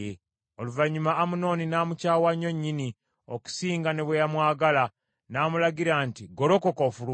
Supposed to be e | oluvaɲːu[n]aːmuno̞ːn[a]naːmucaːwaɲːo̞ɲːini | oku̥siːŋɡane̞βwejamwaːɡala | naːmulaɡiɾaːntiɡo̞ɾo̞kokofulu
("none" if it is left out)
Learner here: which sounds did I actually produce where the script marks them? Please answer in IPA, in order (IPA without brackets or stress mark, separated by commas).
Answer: m, i